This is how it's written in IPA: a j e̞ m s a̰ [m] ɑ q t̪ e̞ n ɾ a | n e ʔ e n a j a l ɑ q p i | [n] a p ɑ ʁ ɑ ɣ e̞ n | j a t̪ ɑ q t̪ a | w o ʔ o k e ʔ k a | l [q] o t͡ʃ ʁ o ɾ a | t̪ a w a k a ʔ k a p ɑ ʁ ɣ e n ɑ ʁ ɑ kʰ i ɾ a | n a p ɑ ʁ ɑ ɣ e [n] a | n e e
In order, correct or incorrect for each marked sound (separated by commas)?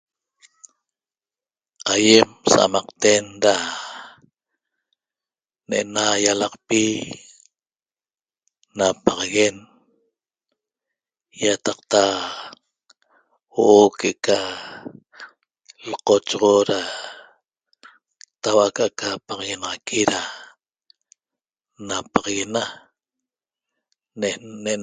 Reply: correct, correct, correct, correct